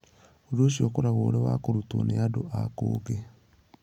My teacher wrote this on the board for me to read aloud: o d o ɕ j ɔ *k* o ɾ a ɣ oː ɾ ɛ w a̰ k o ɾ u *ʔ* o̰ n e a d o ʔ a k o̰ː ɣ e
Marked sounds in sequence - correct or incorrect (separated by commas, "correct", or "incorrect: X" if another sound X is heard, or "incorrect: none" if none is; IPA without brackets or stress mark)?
correct, incorrect: t